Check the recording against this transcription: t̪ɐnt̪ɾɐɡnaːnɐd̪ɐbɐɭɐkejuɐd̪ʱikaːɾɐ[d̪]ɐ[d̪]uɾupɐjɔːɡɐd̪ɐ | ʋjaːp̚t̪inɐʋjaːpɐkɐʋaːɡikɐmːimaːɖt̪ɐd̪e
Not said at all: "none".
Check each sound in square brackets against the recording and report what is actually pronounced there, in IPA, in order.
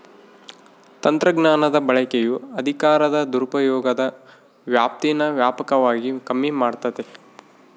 d̪, d̪

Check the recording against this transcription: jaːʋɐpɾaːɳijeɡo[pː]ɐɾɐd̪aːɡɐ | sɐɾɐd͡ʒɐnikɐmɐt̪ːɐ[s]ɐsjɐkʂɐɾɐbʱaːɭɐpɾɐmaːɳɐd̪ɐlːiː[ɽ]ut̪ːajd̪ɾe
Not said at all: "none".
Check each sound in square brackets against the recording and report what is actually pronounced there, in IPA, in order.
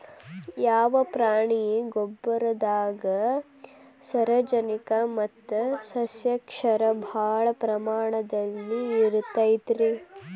bː, s, ɾ

